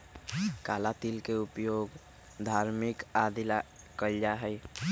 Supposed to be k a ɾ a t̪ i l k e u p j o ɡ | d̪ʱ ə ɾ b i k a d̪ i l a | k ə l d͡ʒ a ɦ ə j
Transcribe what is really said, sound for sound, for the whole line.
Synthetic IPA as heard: k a l a t̪ i l k e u p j o ɡ | d̪ʱ a ɾ m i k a d̪ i l a | k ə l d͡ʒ a ɦ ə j